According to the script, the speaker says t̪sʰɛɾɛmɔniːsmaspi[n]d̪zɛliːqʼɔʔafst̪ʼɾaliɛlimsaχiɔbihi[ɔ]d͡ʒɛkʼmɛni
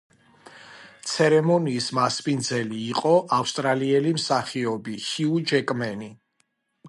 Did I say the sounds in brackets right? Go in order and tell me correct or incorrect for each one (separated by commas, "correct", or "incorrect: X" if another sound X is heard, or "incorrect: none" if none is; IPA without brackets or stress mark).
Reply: correct, incorrect: u